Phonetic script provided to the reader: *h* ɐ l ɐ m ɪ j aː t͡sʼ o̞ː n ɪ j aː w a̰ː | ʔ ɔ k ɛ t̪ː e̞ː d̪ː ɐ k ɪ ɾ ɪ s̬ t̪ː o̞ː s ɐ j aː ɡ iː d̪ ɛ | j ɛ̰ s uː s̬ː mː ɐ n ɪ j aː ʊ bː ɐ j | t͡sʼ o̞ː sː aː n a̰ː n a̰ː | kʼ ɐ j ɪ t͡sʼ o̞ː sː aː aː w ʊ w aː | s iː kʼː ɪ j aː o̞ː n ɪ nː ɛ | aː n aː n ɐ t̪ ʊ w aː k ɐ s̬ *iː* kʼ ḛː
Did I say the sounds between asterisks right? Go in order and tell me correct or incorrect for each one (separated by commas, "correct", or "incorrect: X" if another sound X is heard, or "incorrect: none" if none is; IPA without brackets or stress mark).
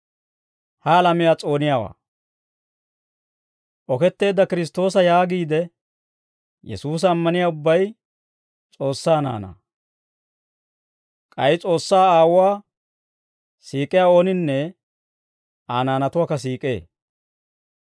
correct, correct